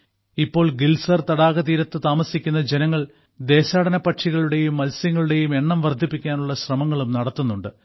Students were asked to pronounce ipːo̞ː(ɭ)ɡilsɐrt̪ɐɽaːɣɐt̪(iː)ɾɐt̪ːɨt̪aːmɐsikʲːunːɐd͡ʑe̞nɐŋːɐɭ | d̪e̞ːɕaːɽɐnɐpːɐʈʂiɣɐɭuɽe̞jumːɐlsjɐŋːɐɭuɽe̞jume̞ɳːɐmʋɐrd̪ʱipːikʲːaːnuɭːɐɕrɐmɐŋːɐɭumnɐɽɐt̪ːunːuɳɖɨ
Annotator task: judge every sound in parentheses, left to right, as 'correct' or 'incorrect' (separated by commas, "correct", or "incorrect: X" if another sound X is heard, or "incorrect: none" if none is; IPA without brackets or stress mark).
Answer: correct, correct